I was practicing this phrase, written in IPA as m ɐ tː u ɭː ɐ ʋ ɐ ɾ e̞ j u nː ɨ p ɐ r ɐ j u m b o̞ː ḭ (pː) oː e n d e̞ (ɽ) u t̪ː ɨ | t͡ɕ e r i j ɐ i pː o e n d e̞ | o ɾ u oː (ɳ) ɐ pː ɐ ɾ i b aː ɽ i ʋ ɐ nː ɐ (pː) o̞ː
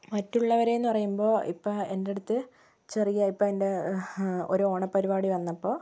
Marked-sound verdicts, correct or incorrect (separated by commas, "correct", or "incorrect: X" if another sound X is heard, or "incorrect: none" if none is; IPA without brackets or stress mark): correct, correct, correct, correct